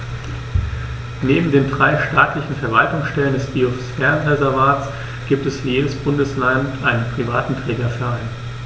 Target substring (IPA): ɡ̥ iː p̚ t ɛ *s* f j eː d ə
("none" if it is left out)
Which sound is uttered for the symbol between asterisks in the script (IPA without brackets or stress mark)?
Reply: s